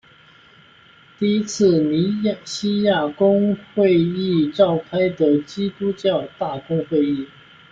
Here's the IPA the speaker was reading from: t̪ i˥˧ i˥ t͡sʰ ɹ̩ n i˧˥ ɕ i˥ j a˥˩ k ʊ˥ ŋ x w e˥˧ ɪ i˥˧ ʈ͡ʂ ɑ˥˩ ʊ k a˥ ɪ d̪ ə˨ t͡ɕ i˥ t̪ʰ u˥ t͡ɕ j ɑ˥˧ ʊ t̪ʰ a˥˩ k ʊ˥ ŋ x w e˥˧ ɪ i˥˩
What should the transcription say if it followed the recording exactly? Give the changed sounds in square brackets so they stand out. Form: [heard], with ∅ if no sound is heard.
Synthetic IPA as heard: t̪ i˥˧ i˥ t͡sʰ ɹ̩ n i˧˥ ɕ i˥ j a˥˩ k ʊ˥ ŋ x w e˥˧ ɪ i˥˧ ʈ͡ʂ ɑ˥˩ ʊ [kʰ] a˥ ɪ d̪ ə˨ t͡ɕ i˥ [t̪] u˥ t͡ɕ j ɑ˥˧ ʊ [t̪] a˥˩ k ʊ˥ ŋ x w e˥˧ ɪ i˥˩